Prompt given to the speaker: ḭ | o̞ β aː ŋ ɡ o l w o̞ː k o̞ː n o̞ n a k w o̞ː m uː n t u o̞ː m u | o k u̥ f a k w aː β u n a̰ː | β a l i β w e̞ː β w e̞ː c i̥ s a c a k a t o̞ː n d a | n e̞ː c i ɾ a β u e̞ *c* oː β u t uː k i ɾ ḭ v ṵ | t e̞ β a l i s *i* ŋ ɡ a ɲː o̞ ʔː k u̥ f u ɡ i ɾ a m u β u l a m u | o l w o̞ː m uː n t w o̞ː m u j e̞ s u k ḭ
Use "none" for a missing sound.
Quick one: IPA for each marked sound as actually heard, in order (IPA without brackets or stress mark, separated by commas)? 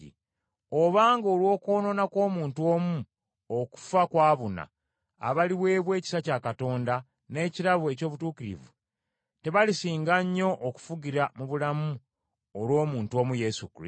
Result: c, iː